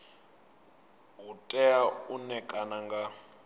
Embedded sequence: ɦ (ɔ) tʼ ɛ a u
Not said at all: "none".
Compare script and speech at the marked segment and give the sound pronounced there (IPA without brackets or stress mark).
u